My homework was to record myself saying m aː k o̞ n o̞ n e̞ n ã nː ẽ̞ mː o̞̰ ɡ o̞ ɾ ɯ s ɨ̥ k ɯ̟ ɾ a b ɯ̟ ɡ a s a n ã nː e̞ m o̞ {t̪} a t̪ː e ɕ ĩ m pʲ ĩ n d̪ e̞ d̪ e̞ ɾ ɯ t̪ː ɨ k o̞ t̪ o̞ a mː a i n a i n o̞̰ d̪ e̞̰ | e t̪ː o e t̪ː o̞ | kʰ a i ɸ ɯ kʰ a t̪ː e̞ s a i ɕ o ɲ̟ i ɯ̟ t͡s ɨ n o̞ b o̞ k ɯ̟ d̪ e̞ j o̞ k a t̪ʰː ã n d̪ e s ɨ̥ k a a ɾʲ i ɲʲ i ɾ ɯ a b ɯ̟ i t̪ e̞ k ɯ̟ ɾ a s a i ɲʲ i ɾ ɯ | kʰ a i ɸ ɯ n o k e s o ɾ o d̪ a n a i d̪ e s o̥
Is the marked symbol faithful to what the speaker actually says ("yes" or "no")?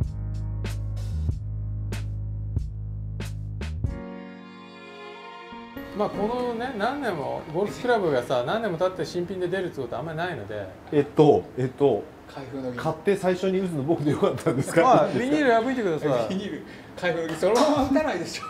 yes